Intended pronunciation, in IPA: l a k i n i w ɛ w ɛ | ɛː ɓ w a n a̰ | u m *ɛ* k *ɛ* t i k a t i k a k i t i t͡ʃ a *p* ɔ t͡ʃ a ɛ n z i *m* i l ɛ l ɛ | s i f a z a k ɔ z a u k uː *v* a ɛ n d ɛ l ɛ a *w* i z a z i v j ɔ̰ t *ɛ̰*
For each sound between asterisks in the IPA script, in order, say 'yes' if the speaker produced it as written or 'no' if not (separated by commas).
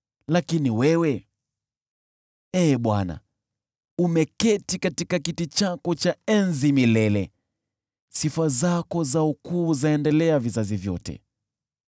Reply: yes, yes, no, yes, no, no, yes